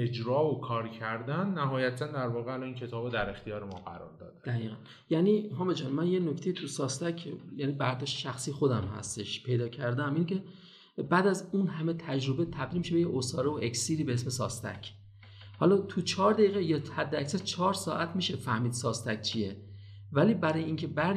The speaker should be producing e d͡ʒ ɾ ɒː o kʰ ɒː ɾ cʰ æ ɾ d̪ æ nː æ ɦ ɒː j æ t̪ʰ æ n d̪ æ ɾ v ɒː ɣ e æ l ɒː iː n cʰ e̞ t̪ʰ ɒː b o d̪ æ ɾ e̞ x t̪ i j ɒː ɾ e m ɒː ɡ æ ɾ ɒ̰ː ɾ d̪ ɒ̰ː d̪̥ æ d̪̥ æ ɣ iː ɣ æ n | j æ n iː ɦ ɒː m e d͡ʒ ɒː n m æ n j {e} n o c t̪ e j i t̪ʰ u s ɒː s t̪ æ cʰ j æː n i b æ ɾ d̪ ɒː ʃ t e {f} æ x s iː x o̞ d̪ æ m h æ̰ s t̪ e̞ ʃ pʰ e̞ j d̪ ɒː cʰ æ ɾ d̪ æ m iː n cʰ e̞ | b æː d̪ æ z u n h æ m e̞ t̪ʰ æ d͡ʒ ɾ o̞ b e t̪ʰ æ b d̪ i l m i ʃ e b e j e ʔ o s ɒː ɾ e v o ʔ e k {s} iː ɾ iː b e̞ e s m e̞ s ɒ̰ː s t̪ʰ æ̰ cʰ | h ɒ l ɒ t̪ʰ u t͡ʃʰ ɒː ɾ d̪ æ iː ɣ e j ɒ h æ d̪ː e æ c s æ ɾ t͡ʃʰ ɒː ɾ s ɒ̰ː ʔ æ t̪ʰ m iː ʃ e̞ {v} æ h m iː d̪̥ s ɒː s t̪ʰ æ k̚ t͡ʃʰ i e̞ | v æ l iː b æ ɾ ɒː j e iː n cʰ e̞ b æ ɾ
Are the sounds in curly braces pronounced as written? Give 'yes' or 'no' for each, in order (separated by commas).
yes, no, yes, no